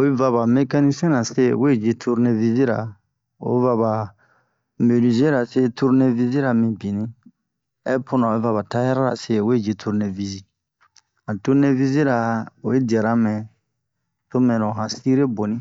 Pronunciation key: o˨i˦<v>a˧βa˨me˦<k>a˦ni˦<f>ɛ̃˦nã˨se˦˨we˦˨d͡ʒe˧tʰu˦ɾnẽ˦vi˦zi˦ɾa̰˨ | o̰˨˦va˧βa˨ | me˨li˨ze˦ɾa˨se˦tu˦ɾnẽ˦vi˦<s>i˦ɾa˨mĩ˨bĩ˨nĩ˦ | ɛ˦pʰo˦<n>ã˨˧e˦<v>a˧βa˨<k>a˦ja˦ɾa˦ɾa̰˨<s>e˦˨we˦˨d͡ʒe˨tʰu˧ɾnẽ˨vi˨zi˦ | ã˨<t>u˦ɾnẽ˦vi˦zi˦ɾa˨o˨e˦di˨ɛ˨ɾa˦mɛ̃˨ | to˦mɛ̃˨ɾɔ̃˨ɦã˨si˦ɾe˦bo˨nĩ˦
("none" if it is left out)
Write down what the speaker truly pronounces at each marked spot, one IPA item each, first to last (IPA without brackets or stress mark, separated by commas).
v, k, s, z, n, v, t, s, t